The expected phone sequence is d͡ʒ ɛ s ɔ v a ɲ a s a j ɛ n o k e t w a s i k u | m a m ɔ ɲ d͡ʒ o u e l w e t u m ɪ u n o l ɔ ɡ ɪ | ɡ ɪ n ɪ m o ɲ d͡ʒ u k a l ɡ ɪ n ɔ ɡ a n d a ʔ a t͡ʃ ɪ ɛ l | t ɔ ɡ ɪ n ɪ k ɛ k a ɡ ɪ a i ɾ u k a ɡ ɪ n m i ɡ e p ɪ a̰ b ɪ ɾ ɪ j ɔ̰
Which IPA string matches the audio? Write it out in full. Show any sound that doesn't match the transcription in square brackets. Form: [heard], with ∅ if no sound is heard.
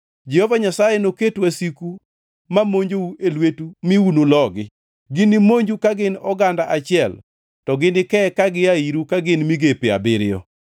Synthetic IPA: d͡ʒ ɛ [h] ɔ v a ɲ a s a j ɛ n o k e t w a s i k u | m a m [o] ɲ d͡ʒ o u e l w e t u m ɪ u n o l ɔ ɡ ɪ | ɡ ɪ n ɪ m o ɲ d͡ʒ u k a [∅] ɡ ɪ n ɔ ɡ a n d a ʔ a t͡ʃ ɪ ɛ l | t ɔ ɡ ɪ n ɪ k ɛ k a ɡ ɪ a i ɾ u k a ɡ ɪ n m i ɡ e p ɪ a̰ b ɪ ɾ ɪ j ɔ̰